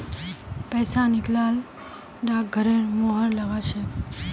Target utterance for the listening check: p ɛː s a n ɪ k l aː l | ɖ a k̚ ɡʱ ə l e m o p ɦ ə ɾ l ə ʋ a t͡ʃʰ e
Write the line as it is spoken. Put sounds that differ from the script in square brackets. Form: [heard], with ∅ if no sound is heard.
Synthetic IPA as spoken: p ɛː s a n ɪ k l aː l | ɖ a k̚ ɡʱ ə [ɾ] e m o [∅] ɦ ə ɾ l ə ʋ a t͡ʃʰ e

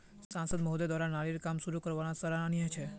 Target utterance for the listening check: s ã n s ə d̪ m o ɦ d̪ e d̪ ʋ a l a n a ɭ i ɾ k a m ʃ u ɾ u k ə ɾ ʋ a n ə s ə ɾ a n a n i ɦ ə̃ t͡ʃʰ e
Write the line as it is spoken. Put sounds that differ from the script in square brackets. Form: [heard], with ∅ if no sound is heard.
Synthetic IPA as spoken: s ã n s ə d̪ m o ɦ d̪ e d̪ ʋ a [ɾ] a n a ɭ i ɾ k a m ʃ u ɾ u k ə ɾ ʋ a n [a] s ə ɾ a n a n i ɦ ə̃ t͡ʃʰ e

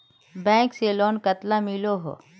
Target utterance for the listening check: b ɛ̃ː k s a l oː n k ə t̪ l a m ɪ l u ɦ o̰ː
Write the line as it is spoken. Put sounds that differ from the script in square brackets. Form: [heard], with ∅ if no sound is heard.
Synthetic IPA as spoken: b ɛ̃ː k s [e] l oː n k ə t̪ l a m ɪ l [o] ɦ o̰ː

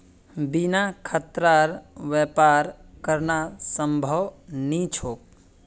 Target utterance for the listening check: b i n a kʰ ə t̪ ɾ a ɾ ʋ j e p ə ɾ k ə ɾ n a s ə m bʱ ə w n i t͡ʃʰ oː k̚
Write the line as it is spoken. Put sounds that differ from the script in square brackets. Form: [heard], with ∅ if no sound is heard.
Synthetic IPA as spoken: b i n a kʰ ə t̪ ɾ a ɾ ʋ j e p [a] ɾ k ə ɾ n a s ə m bʱ ə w n i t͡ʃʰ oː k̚

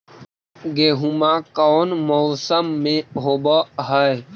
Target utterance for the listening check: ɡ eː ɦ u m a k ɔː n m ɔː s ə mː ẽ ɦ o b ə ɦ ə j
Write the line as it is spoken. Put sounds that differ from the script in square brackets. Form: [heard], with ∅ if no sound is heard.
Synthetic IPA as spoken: ɡ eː ɦ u m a k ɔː n m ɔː s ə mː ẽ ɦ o b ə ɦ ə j

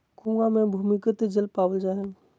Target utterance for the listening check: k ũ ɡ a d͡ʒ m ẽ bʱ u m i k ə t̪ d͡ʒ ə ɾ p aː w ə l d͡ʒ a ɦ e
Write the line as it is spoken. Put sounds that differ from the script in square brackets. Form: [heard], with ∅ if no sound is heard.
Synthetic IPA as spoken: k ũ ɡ a [∅] m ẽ bʱ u m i k ə t̪ d͡ʒ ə [l] p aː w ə l d͡ʒ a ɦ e

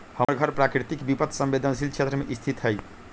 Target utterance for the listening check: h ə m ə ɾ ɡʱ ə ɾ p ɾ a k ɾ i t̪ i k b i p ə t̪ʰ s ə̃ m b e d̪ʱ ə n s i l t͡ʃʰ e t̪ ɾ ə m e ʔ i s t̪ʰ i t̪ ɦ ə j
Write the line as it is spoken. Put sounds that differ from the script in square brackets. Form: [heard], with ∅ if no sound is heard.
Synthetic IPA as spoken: h ə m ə ɾ ɡʱ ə ɾ p ɾ a k ɾ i t̪ i k b i p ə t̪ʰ s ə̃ m b e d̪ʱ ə n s i l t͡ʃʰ e t̪ ɾ ə m e ʔ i s t̪ʰ i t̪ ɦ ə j

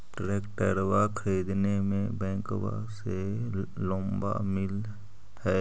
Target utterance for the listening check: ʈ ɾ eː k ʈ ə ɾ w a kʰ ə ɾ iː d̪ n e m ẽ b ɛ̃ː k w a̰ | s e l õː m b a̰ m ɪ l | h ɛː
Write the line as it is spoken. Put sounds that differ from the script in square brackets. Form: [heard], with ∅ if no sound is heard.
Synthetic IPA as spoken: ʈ ɾ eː k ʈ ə ɾ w a kʰ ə ɾ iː d̪ n e m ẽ b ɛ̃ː k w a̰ | s e l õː m b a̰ m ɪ l | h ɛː

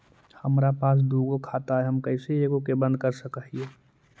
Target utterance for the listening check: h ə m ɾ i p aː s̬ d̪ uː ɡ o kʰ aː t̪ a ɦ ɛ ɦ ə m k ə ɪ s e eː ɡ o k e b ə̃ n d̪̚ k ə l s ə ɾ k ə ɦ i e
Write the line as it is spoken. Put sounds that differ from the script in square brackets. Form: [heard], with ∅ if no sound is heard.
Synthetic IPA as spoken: h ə m ɾ [a] p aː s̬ d̪ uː ɡ o kʰ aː t̪ a ɦ ɛ ɦ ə m k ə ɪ s e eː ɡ o k e b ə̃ n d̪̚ k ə [ɾ] s ə [∅] k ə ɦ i e

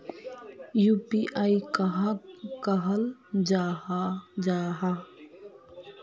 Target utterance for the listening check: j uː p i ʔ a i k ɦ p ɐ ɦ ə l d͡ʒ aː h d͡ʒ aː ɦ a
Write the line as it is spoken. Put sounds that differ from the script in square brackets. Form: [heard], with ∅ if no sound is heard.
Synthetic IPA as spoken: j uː p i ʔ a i k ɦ [k] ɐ ɦ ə l d͡ʒ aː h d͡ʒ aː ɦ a

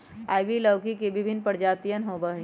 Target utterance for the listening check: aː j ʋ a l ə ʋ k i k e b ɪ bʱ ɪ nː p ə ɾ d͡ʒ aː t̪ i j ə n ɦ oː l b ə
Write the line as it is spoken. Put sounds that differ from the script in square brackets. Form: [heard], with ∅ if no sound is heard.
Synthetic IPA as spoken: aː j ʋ [i] l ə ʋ k i k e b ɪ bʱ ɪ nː p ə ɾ d͡ʒ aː t̪ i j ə n ɦ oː [∅] b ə

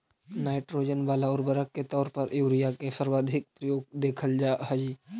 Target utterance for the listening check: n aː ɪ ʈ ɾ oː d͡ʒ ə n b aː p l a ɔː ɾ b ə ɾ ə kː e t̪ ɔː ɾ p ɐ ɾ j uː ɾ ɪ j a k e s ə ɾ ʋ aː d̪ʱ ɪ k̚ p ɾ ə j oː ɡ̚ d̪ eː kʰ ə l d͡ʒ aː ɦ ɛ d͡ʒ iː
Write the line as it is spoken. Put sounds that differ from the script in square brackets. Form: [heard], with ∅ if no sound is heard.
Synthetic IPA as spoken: n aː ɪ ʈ ɾ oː d͡ʒ ə n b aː [∅] l a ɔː ɾ b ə ɾ ə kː e t̪ ɔː ɾ p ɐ ɾ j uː ɾ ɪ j a k e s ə ɾ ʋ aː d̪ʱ ɪ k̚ p ɾ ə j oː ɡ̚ d̪ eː kʰ ə l d͡ʒ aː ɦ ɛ d͡ʒ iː

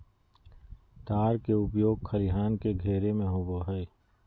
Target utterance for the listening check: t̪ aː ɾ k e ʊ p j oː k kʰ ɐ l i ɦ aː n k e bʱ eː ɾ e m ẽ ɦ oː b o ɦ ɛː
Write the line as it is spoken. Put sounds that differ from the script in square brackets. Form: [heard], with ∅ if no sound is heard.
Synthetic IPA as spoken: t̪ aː ɾ k e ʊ p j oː [ɡ] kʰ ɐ l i ɦ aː n k e [ɡʱ] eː ɾ e m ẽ ɦ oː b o ɦ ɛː

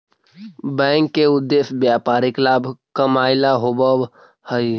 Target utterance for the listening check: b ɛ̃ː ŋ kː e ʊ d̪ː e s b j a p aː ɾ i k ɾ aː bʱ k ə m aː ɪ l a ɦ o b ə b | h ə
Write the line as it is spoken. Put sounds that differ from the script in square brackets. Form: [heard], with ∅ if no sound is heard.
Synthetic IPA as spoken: b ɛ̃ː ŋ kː e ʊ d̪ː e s b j a p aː ɾ i k [l] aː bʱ k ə m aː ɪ l a ɦ o b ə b | h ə

